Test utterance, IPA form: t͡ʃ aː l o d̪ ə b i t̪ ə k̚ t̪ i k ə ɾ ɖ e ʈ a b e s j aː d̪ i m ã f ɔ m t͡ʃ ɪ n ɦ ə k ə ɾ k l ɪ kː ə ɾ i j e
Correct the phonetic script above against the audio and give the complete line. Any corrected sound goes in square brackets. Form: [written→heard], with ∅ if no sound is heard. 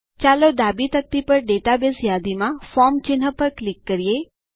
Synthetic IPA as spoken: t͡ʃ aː l o d̪ [ə→a] b i t̪ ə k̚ t̪ i [k→p] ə ɾ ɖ e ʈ a b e s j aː d̪ i m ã f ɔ m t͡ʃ ɪ n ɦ ə [k→p] ə ɾ k l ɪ kː ə ɾ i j e